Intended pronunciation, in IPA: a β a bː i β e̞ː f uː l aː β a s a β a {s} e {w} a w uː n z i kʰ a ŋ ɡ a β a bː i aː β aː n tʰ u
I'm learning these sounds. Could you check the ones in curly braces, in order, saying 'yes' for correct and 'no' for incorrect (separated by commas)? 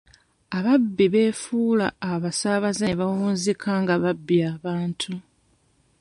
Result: no, no